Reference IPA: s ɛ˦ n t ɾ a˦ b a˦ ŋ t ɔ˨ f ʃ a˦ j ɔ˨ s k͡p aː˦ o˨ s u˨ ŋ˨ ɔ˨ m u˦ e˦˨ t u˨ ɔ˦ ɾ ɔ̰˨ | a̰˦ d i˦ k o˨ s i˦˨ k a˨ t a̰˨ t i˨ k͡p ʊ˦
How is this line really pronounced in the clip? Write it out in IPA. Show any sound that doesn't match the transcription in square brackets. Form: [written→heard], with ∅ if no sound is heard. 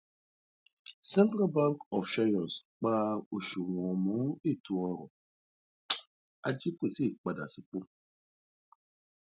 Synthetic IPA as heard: s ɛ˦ n t ɾ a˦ b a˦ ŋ [t→k] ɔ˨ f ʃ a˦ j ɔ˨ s k͡p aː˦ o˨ [s→ʃ] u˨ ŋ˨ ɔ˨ m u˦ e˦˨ t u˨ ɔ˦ ɾ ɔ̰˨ | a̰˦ [d→d͡ʒ] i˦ k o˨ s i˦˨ [k→k͡p] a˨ [t→d] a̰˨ [t→s] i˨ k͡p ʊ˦